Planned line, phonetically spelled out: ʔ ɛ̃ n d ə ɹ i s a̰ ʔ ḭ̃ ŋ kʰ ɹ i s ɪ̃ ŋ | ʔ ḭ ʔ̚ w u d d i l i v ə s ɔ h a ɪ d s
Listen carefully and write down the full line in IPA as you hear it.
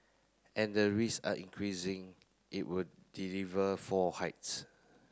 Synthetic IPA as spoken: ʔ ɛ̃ n d ə ɹ i s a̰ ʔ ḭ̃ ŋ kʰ ɹ i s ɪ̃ ŋ | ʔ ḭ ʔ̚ w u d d i l i v ə f ɔ h a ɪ t s